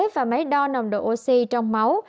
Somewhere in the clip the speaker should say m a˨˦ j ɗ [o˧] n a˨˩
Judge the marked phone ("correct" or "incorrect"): incorrect